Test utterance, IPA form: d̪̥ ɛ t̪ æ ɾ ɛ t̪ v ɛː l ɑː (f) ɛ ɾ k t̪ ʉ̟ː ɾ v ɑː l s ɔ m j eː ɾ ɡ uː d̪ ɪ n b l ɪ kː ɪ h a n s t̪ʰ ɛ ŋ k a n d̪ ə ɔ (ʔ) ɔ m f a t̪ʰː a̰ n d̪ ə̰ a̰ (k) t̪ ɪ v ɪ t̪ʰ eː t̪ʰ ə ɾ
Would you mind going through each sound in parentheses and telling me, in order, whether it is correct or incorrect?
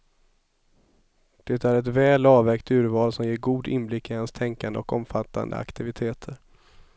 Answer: incorrect: v, incorrect: k, correct

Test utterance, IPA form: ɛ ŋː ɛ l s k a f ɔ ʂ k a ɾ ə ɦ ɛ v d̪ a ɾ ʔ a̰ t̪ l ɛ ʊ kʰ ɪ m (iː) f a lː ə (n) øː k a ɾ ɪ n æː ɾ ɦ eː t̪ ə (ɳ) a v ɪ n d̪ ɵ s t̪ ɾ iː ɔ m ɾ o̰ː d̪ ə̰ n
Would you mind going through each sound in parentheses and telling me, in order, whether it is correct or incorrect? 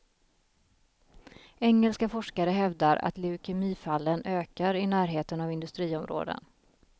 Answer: correct, correct, incorrect: n

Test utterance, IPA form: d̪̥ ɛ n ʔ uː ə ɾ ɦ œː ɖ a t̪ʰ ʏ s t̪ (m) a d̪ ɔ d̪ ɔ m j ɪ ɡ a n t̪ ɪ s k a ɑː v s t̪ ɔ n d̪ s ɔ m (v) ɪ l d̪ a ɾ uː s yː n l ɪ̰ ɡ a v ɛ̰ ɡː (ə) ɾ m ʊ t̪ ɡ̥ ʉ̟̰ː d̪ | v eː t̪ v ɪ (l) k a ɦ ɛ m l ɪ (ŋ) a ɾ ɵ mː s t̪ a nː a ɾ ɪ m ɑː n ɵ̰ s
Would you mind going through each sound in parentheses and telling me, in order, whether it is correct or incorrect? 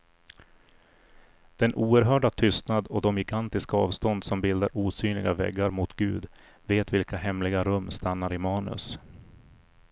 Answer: incorrect: n, incorrect: b, incorrect: a, correct, incorrect: ɡ

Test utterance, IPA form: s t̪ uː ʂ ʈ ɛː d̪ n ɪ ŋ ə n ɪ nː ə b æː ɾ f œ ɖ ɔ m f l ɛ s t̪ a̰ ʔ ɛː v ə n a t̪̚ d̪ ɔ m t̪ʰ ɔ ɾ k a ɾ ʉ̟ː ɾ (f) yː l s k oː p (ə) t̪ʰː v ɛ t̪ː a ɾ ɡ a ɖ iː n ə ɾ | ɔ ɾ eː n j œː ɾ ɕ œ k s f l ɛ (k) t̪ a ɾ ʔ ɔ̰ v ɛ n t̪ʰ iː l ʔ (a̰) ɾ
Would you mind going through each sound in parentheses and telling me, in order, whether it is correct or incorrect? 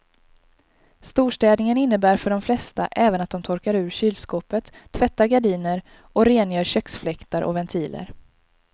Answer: incorrect: ɕ, correct, correct, incorrect: ə̰

